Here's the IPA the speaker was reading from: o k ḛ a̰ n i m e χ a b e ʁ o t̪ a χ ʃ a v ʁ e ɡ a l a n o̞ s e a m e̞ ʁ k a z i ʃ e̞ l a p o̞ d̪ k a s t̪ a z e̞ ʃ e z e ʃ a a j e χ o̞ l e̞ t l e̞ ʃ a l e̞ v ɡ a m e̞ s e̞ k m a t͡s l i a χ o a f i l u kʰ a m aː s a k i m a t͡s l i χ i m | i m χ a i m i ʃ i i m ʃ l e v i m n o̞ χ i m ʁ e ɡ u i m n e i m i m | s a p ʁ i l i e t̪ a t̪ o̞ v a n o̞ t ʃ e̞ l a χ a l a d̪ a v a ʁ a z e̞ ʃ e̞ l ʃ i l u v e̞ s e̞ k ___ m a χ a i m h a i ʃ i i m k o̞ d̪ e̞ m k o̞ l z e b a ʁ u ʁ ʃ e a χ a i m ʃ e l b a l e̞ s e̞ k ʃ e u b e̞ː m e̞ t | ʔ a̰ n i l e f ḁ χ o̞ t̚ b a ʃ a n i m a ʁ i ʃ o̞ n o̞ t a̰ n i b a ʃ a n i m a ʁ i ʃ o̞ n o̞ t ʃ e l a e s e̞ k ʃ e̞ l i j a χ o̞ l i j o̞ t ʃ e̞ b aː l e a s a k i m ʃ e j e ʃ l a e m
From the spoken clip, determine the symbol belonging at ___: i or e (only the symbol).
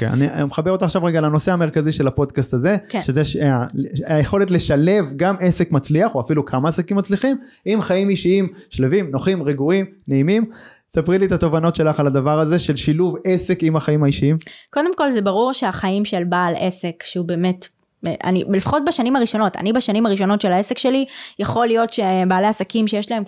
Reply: i